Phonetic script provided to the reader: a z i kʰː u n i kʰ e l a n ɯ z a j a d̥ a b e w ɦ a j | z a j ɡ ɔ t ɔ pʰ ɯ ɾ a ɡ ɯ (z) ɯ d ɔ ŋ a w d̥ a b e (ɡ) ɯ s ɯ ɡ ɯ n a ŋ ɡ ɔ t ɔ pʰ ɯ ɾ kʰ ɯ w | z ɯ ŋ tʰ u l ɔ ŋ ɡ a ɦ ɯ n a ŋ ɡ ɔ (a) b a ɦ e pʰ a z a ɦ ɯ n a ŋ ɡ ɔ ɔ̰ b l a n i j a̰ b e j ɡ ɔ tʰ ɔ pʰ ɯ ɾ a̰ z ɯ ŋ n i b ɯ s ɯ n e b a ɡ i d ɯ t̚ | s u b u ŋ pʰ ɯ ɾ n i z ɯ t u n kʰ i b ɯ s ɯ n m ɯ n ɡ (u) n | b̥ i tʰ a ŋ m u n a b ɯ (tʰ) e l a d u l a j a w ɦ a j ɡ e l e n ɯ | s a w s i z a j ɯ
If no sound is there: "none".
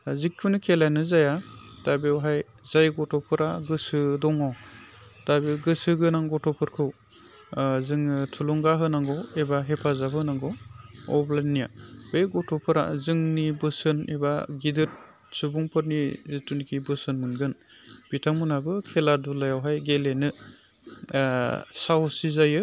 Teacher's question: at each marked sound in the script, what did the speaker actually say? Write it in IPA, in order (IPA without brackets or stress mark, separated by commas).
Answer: s, ɡ, e, ɯ, kʰ